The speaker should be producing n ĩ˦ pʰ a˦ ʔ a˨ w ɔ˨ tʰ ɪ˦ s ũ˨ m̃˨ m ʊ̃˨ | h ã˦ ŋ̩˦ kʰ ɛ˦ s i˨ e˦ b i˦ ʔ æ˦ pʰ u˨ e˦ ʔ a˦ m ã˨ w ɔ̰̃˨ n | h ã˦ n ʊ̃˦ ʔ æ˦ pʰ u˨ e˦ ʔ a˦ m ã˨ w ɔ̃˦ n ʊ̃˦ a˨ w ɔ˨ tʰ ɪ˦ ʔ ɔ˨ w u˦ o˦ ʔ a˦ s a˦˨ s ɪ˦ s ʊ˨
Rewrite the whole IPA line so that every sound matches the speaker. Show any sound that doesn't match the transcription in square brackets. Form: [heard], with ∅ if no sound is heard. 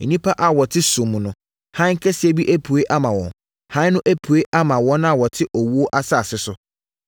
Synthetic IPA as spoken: n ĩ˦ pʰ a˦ ʔ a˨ w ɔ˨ tʰ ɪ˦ s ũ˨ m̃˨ [n] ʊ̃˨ | h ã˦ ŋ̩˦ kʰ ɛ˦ s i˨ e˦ b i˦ ʔ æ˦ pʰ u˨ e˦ ʔ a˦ m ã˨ w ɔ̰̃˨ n | h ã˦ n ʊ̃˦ ʔ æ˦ pʰ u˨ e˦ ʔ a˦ m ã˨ w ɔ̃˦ n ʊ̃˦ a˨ w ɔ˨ tʰ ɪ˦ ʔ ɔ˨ w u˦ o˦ ʔ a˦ s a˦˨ s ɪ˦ s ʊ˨

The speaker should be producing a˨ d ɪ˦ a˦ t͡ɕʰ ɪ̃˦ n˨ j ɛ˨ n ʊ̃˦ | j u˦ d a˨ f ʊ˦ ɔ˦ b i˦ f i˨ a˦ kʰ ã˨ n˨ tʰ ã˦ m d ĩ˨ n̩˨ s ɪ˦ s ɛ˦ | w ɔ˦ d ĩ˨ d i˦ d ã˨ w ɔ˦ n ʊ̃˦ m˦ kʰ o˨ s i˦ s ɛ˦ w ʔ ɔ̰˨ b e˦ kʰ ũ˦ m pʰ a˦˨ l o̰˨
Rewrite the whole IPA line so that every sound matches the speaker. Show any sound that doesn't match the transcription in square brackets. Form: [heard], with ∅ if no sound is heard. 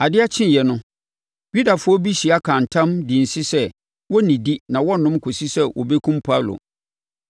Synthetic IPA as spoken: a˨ d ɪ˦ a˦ t͡ɕʰ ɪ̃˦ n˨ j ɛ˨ n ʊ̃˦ | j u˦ d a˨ f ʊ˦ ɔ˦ b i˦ [ɕ] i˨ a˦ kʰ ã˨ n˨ tʰ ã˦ m d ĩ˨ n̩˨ s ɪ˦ s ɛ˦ | w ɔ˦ [n] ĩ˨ d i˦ [n] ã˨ w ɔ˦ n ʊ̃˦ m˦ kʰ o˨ s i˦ s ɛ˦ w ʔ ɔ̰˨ b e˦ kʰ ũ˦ m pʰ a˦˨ l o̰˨

